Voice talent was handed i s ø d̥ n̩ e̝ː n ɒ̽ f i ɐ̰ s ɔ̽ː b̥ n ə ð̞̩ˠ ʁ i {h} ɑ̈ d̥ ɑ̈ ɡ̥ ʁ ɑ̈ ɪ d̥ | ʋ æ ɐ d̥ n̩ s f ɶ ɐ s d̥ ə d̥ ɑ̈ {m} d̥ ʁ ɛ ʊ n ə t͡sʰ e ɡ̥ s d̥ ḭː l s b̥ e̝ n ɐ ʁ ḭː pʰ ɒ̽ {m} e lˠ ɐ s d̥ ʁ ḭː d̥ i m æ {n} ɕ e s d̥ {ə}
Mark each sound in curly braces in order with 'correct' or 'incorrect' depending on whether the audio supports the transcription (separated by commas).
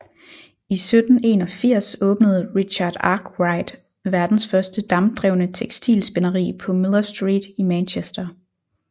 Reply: incorrect, correct, correct, correct, incorrect